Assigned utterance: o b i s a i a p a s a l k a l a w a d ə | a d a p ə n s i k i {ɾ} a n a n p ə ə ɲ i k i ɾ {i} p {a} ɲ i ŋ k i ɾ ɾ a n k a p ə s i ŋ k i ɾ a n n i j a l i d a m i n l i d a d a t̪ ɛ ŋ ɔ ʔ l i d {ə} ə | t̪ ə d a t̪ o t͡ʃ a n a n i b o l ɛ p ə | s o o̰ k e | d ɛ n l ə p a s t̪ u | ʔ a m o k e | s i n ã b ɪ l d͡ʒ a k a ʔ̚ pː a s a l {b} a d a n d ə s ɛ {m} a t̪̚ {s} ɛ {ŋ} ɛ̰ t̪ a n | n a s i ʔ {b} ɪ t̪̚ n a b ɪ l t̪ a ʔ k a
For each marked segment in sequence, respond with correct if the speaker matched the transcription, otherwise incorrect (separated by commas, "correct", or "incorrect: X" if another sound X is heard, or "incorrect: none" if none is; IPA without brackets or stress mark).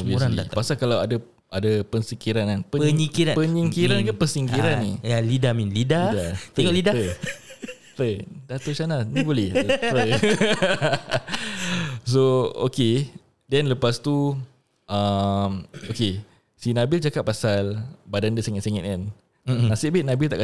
correct, incorrect: a, incorrect: ə, incorrect: a, correct, incorrect: ŋ, correct, correct, correct